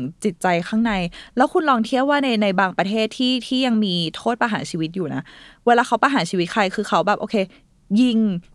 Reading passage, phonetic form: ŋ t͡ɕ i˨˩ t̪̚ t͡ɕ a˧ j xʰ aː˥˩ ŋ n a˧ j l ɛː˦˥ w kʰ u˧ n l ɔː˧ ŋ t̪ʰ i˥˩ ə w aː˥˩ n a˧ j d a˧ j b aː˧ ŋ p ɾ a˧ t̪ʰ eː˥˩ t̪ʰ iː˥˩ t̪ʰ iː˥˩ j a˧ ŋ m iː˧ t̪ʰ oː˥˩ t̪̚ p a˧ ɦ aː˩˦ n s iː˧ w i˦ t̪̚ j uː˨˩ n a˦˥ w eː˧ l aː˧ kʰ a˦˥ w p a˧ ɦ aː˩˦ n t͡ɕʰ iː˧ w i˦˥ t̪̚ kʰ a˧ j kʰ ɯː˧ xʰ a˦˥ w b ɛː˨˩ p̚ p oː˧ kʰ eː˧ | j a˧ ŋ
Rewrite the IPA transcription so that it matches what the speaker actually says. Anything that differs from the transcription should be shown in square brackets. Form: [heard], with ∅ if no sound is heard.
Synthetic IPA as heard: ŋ t͡ɕ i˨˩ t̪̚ t͡ɕ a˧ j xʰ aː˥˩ ŋ n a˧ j l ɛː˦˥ w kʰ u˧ n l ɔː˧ ŋ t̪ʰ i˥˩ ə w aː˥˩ n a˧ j [n] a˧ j b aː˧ ŋ p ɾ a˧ t̪ʰ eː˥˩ t̪ʰ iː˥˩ t̪ʰ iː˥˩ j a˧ ŋ m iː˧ t̪ʰ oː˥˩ t̪̚ p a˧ ɦ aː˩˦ n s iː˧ w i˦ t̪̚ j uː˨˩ n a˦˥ w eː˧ l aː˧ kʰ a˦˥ w p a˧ ɦ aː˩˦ n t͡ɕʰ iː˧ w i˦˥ t̪̚ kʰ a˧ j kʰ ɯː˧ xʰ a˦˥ w b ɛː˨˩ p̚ [ʔ] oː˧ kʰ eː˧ | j [i˧] ŋ